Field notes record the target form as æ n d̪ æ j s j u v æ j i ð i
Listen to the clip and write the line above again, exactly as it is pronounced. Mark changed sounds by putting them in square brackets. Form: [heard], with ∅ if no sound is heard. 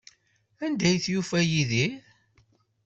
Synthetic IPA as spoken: æ n d̪ æ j [θ] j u [f] æ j i ð i